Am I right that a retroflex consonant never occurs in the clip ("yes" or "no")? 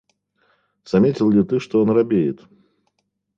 no